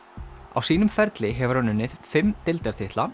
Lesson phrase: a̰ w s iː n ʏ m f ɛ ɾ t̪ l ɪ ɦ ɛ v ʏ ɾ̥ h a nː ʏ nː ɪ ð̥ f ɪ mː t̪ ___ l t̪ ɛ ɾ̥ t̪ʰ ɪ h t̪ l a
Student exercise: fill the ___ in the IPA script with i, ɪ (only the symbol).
ɪ